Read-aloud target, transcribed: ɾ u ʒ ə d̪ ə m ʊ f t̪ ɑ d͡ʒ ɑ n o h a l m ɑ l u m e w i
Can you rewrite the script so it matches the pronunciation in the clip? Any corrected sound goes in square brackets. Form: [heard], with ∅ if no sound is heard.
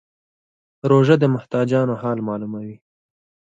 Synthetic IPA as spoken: ɾ [o] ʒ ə d̪ ə m ʊ [h] t̪ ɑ d͡ʒ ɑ n o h [ɑ] l m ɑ l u m [a] w i